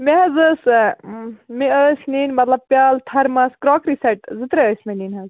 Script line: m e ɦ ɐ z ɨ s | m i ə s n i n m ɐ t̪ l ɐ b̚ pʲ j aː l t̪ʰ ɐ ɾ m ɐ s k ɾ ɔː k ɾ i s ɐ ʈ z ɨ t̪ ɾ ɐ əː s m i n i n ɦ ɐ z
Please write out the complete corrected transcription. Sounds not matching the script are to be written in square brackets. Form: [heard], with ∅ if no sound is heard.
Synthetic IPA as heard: m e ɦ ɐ z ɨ s | m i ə s n i n m ɐ t̪ l ɐ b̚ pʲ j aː l t̪ʰ ɐ ɾ m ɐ s k ɾ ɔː k ɾ i s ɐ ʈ z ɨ t̪ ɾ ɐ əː s m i n i n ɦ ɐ z